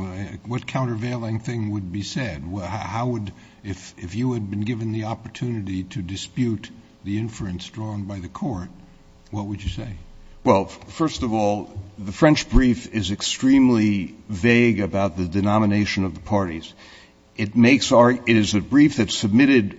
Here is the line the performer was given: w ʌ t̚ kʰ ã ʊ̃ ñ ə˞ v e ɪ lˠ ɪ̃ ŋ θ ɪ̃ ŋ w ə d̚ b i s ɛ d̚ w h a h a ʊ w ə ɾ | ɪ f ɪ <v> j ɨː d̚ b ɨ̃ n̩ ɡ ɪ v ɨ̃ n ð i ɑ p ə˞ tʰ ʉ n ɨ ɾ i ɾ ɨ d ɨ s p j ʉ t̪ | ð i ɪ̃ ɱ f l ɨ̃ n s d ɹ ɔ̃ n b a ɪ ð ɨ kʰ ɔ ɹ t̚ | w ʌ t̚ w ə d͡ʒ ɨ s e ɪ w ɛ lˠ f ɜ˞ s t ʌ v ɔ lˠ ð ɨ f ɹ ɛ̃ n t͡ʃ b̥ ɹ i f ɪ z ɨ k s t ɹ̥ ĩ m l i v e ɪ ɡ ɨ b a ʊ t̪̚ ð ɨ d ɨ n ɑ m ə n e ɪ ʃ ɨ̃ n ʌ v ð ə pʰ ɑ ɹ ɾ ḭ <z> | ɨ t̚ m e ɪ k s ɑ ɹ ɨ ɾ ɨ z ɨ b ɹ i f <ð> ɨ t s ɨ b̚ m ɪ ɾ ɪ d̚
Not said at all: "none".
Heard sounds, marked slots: f, z, ð

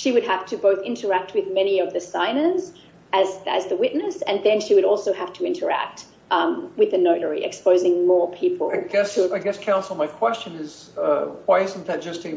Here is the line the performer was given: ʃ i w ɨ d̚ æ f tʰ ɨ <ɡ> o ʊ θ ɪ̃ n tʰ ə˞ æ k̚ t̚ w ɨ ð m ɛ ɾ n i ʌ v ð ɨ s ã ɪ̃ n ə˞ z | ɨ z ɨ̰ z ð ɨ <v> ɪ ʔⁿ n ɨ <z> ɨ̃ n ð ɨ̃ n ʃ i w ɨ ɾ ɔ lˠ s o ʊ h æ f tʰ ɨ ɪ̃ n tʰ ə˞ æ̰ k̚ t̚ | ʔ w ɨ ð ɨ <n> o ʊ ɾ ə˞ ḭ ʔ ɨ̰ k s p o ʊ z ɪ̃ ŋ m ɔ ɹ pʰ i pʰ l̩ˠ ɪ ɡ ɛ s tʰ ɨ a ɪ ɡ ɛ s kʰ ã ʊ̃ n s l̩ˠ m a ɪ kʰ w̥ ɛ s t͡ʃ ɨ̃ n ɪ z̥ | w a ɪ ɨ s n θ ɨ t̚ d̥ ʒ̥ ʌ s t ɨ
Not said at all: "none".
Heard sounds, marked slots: b, w, s, n

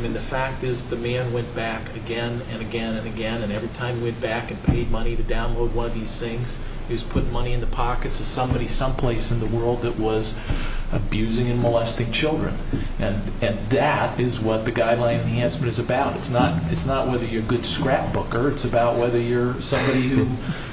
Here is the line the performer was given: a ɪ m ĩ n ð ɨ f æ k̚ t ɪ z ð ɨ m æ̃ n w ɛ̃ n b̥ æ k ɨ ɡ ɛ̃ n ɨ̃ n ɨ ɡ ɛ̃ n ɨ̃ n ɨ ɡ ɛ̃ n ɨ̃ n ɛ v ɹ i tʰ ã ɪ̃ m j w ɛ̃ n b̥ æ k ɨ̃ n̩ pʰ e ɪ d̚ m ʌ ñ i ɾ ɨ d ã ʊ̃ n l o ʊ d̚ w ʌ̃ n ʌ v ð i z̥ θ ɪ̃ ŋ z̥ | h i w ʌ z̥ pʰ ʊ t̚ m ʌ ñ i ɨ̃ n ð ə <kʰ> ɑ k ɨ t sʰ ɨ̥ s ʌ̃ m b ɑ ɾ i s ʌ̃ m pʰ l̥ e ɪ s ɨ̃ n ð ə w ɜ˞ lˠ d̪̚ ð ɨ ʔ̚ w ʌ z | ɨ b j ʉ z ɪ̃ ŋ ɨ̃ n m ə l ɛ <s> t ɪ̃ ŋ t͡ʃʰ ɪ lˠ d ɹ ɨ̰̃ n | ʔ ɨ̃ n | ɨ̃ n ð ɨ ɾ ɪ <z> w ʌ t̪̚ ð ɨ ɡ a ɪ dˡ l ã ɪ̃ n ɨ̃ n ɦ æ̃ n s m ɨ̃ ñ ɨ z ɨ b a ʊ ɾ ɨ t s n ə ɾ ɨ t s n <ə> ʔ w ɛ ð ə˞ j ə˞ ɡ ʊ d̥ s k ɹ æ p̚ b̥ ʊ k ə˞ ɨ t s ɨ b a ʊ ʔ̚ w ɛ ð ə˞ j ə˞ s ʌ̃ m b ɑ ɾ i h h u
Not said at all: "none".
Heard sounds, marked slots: pʰ, s, z, ə

